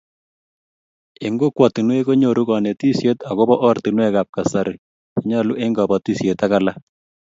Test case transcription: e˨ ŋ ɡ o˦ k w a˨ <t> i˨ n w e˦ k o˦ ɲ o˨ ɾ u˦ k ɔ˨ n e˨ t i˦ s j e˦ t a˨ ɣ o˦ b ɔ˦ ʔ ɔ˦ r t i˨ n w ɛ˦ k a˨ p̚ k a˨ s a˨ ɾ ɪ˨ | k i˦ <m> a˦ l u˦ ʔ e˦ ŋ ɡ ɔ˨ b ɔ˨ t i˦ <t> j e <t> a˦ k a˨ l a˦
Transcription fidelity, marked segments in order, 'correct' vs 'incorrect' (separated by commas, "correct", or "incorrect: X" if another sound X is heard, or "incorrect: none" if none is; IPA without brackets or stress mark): correct, incorrect: ɲ, incorrect: s, correct